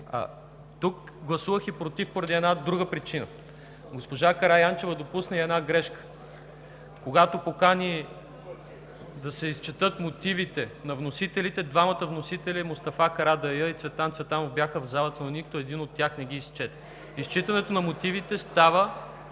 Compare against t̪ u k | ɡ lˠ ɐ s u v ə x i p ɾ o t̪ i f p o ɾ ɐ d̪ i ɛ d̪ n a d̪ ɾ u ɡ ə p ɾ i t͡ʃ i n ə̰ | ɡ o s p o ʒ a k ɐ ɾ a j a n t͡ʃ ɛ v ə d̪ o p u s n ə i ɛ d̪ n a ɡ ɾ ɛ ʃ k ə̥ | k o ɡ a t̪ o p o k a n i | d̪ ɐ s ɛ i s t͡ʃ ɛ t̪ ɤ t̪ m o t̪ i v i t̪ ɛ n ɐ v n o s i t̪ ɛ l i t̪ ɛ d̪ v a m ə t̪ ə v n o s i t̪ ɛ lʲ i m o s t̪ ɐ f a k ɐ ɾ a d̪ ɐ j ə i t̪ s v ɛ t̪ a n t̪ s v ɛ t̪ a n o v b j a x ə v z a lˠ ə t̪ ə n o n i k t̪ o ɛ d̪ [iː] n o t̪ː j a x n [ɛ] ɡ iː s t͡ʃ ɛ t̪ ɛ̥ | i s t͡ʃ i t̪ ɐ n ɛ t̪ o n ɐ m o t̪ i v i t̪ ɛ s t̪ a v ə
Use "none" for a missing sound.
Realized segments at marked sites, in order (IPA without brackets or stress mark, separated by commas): i, ɛ